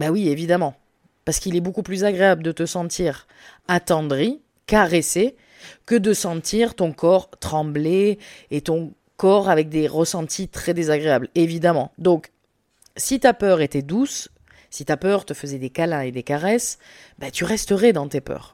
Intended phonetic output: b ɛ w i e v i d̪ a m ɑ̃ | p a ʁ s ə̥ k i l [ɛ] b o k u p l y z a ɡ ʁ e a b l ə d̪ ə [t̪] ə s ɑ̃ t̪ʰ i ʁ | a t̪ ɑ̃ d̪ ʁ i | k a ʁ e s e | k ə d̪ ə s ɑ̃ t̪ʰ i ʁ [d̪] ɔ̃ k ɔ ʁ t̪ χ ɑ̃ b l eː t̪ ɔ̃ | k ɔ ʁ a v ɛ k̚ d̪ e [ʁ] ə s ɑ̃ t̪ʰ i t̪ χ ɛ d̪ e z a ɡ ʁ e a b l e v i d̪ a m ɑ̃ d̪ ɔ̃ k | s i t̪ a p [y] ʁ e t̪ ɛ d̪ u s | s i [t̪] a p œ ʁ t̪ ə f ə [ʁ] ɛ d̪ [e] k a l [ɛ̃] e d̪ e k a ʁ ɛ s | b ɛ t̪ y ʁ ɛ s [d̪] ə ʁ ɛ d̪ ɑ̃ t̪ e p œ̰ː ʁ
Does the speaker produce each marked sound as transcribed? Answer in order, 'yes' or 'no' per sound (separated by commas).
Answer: yes, yes, no, yes, no, yes, no, yes, yes, no